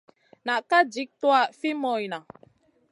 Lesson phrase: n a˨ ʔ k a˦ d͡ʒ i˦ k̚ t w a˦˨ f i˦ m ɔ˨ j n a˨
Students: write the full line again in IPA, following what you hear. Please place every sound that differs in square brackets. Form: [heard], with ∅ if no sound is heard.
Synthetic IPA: n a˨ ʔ k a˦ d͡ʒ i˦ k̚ t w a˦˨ f i˦ m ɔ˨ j n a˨